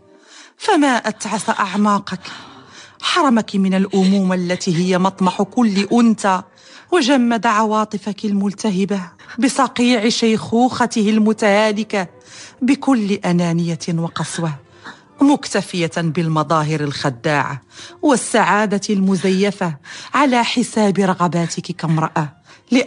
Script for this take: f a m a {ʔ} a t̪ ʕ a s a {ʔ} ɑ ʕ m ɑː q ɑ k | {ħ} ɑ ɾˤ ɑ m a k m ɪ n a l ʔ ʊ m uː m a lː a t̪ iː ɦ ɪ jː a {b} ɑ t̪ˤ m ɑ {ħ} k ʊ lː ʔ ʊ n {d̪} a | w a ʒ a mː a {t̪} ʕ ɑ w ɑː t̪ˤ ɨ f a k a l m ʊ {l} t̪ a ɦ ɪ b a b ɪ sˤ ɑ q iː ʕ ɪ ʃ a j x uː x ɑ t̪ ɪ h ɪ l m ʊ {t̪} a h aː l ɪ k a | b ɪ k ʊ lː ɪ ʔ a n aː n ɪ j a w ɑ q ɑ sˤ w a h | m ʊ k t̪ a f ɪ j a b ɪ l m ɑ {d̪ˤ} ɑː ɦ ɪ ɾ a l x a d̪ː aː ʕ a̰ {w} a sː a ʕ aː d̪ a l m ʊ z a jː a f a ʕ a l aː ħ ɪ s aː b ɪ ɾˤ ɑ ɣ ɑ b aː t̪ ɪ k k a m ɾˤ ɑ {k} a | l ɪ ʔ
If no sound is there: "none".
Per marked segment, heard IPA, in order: ʔ, ʔ, ħ, m, ħ, t̪, d̪, l, t̪, d̪ˤ, w, ʔ

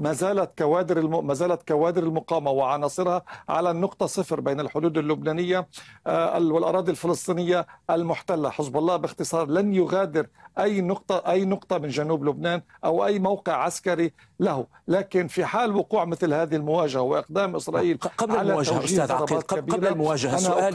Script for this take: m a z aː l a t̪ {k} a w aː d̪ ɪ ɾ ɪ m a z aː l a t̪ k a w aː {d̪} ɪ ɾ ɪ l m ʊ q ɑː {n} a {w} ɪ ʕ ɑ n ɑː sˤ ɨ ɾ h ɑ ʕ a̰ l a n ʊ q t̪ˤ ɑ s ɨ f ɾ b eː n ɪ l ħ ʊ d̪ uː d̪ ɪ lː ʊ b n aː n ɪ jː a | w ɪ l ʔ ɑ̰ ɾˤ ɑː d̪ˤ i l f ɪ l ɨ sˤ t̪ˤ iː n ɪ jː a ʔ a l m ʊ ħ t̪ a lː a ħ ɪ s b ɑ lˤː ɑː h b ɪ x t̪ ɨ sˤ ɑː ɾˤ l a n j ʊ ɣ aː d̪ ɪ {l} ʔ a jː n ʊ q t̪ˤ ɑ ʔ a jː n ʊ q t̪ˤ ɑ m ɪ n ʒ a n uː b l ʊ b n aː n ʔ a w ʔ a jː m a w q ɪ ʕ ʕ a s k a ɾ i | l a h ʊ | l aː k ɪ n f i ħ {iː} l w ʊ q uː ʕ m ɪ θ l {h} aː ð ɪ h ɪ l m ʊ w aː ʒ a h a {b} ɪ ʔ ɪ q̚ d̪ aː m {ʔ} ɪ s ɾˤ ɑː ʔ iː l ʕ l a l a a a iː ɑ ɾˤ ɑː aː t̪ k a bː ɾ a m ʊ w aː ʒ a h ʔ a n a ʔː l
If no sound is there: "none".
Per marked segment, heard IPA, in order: k, d̪, m, w, ɾ, aː, h, w, ʔ

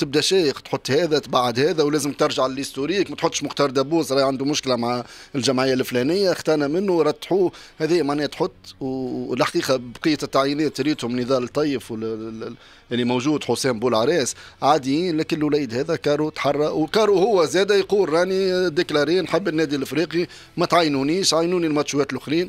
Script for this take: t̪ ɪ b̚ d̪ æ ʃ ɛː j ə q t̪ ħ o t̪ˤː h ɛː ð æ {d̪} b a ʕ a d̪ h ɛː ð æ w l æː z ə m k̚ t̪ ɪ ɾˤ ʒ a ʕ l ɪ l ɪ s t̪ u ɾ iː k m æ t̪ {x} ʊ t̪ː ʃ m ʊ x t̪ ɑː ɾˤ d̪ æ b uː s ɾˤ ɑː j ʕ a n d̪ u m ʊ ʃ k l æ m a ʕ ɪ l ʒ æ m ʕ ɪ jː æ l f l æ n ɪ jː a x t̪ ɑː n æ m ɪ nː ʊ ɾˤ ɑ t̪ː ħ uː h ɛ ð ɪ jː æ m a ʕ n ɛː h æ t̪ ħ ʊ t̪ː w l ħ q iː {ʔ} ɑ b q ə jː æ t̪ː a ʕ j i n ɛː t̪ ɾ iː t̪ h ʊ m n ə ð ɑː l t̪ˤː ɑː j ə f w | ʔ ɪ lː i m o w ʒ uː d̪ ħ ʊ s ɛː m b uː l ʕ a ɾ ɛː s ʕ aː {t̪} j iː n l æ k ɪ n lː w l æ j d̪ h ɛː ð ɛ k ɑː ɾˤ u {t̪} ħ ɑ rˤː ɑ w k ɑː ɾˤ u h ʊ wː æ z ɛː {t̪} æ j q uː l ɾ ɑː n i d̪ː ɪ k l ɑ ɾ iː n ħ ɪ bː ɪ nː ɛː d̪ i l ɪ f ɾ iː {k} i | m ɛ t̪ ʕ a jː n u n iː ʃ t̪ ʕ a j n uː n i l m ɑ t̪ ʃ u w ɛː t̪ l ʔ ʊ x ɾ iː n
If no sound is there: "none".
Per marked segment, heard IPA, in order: t̪, ħ, q, d̪, t̪, d̪, q

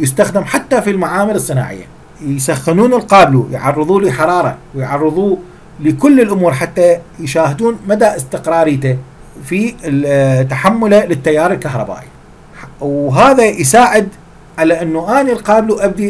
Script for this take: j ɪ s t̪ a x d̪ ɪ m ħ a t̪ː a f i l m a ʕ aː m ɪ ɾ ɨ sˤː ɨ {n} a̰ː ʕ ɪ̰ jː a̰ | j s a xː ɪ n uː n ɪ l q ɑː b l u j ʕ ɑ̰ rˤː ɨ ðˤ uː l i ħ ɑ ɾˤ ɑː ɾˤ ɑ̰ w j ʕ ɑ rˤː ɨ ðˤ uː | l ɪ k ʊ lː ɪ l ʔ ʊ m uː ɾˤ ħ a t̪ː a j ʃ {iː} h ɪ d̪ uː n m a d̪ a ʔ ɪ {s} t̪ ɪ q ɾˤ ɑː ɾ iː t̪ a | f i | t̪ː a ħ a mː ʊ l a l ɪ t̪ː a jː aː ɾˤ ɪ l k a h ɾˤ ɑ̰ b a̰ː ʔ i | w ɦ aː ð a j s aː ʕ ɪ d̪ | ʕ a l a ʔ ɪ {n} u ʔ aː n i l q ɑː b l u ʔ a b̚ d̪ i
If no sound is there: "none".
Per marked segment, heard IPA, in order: n, aː, s, nː

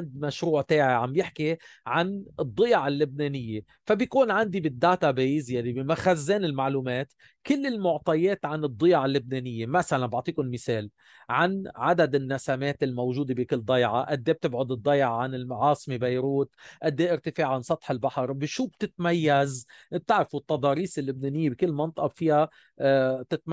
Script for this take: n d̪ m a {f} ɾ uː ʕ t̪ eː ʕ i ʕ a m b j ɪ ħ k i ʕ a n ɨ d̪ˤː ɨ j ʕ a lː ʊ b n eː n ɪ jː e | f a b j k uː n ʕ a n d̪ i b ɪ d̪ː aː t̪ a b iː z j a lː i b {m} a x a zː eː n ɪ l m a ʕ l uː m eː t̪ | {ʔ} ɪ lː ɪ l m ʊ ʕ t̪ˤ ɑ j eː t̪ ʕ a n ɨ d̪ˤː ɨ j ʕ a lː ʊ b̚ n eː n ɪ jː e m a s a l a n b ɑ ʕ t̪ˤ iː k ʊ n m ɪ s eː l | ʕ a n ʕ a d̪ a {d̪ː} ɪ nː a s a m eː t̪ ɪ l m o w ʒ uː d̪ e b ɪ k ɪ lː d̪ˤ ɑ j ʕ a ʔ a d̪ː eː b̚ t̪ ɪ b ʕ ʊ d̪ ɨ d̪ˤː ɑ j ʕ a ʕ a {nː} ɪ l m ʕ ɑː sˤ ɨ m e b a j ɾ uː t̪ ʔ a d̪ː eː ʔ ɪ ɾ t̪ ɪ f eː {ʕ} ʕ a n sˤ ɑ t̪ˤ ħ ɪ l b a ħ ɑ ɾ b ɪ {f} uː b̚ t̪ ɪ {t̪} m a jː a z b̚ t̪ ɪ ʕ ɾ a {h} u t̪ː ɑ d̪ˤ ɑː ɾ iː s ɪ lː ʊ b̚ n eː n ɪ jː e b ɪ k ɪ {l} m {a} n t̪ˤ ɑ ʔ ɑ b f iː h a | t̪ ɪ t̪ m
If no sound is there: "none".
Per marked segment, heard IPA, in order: ʃ, m, k, d̪, n, ʕ, ʃ, t̪, f, lː, ɑ

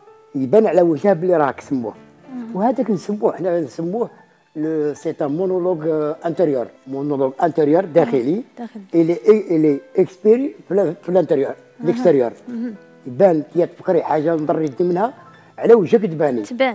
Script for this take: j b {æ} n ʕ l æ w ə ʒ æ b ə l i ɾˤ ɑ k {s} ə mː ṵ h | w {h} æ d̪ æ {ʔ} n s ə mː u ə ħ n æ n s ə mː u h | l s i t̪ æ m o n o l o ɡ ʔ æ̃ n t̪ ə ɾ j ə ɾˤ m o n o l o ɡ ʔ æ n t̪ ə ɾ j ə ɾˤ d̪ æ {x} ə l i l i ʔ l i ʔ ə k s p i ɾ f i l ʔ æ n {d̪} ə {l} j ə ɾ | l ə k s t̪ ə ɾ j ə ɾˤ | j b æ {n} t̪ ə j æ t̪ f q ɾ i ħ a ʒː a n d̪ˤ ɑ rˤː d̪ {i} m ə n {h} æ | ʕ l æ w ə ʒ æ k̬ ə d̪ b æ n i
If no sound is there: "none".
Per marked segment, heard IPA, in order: æ, s, h, k, x, t̪, ɾ, n, i, h

